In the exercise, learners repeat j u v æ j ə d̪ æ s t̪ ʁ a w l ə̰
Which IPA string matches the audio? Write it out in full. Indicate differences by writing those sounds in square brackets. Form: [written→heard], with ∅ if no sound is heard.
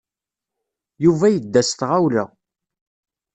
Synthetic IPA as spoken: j u v æ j ə [d̪→d̪ː] æ s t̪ ʁ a w l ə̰